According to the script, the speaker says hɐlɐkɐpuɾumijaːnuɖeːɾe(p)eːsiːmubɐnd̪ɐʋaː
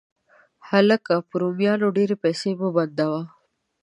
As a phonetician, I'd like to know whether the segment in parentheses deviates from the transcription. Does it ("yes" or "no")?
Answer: no